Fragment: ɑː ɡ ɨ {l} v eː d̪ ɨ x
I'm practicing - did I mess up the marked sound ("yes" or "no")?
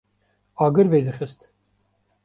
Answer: yes